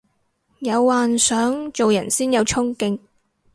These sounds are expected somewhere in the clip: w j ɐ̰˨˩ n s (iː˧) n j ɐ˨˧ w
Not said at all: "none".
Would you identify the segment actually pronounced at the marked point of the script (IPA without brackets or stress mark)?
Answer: iː˥